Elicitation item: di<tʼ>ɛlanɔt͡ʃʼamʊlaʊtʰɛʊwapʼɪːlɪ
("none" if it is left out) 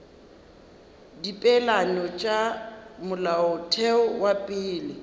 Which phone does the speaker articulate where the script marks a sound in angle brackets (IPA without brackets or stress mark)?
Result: pʼ